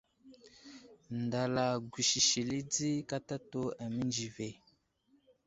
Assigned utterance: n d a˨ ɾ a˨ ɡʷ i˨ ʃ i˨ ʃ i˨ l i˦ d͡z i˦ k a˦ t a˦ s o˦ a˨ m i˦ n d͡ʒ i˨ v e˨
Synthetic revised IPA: n d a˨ l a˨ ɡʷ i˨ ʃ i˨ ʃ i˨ l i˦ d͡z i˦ k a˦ t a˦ t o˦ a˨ m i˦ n d͡ʒ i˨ v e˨